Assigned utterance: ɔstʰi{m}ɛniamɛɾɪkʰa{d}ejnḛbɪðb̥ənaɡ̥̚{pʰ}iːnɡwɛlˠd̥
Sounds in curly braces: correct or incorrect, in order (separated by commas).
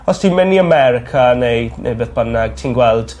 correct, incorrect, incorrect